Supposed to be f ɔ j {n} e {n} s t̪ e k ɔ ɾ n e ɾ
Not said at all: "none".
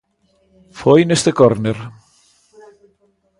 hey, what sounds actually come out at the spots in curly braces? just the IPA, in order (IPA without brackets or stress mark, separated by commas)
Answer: n, none